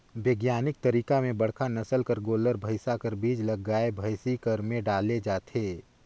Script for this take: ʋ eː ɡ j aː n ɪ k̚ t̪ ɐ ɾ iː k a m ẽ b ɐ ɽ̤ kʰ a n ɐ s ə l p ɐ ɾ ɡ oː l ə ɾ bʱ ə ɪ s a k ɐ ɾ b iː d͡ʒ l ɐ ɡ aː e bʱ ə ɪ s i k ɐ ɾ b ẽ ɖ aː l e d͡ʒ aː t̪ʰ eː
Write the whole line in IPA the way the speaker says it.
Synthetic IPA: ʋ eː ɡ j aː n ɪ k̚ t̪ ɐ ɾ iː k a m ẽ b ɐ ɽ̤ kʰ a n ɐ s ə l k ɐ ɾ ɡ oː l ə ɾ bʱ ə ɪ s a k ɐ ɾ b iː d͡ʒ l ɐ ɡ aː e bʱ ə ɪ s i k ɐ ɾ m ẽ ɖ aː l e d͡ʒ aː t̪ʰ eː